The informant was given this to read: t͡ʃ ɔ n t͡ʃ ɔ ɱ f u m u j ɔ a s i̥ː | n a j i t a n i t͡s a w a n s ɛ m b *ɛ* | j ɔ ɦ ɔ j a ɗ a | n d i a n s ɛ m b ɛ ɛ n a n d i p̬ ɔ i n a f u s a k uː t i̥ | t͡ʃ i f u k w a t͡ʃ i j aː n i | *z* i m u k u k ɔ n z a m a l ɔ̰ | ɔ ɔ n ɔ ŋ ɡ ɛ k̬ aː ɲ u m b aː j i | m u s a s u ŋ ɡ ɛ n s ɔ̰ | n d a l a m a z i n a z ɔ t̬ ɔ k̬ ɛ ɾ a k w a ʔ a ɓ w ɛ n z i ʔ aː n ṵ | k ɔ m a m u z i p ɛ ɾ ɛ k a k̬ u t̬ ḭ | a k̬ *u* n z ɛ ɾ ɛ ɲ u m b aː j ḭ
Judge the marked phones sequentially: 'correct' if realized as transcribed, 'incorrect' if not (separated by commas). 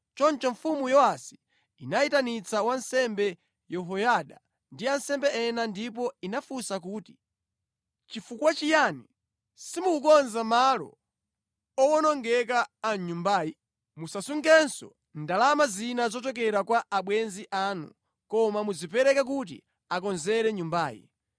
correct, incorrect, incorrect